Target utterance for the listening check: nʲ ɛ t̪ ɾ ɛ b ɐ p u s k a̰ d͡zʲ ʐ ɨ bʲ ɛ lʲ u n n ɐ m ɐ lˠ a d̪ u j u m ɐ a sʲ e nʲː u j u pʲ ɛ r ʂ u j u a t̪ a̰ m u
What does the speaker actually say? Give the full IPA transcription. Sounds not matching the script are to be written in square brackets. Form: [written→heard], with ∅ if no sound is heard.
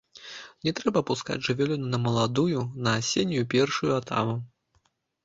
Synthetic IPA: nʲ ɛ t̪ ɾ ɛ b ɐ p u s k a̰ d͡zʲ ʐ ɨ [bʲ→vʲ] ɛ lʲ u n n ɐ m ɐ lˠ a d̪ u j u [m→n] ɐ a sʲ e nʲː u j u pʲ ɛ r ʂ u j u a t̪ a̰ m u